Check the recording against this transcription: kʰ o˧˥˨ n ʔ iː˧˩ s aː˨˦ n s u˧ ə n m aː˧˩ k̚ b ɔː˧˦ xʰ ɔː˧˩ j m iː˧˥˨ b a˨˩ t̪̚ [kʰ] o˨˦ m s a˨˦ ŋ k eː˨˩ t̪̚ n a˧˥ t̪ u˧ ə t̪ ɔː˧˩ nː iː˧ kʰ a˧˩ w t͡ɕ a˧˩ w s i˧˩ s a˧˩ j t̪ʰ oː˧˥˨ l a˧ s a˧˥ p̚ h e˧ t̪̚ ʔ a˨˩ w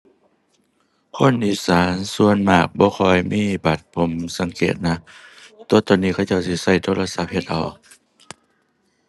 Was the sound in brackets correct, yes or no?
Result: no